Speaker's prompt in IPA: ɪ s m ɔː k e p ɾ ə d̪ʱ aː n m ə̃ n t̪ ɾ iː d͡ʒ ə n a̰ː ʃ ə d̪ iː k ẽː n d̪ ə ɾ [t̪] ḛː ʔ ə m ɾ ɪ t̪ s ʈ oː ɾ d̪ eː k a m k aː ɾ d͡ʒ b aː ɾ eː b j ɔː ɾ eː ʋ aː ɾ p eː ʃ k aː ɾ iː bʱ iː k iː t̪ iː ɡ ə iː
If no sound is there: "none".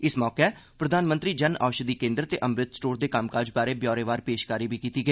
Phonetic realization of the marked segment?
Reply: t̪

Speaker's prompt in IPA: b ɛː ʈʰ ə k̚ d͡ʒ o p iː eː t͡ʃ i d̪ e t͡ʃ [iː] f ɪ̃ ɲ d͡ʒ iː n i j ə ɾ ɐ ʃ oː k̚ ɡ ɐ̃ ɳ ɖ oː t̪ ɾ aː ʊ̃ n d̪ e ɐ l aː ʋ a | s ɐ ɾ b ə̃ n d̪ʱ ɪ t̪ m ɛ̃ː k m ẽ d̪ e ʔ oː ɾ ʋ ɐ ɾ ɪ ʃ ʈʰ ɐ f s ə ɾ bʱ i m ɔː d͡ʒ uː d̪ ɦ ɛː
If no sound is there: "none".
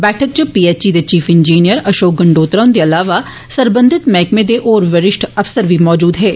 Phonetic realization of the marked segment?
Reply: iː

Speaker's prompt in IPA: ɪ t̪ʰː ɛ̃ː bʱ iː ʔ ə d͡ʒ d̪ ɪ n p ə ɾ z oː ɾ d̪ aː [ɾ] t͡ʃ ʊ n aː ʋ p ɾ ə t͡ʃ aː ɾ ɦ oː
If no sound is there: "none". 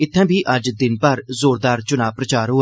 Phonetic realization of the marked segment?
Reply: ɾ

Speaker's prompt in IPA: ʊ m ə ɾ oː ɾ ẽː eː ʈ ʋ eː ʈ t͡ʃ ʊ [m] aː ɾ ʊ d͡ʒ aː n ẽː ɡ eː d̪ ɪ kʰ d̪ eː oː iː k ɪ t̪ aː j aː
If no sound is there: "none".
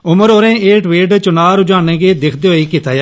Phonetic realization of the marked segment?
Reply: n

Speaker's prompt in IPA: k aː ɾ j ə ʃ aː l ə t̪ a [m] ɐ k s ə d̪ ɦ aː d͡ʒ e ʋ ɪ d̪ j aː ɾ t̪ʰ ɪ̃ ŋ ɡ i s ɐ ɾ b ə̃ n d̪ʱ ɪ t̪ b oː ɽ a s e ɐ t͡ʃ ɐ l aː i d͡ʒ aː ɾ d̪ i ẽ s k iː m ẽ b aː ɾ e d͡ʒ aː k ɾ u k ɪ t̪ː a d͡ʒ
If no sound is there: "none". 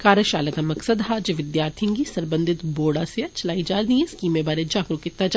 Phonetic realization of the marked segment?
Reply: m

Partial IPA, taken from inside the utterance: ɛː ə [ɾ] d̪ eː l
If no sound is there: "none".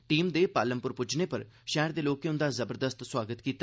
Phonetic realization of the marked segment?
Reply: ɾ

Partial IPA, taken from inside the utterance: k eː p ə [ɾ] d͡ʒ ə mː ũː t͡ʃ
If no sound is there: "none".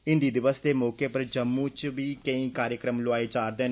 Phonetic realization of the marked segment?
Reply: ɾ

